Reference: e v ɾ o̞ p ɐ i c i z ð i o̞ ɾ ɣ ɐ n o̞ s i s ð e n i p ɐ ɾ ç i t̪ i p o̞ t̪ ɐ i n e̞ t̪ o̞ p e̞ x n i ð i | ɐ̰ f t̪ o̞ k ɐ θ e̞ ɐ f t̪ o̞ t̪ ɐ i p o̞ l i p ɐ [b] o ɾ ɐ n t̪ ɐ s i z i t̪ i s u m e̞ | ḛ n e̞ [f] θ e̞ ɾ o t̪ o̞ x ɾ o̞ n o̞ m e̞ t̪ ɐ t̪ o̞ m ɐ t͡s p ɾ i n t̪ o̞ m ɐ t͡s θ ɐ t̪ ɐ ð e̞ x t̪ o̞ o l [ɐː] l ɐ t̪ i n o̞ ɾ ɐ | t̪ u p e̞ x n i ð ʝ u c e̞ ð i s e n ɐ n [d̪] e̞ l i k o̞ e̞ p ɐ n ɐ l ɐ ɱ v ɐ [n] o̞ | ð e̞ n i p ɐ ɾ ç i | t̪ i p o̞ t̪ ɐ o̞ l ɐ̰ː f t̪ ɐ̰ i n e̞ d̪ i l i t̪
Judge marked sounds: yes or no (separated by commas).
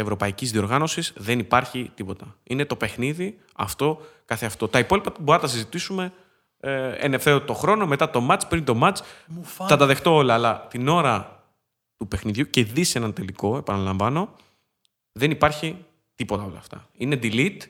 yes, yes, yes, no, yes